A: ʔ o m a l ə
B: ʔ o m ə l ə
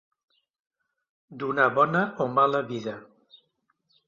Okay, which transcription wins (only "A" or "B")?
A